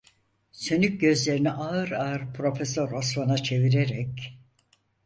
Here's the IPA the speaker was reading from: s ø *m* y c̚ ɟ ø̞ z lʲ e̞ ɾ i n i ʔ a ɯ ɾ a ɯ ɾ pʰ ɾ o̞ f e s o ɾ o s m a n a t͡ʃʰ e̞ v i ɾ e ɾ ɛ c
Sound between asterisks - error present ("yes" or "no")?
yes